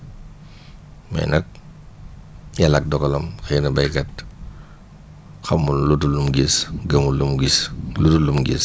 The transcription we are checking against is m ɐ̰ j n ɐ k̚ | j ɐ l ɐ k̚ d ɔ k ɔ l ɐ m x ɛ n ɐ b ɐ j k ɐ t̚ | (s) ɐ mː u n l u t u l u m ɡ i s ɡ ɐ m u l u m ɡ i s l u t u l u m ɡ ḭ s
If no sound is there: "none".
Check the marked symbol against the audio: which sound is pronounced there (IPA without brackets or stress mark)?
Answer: x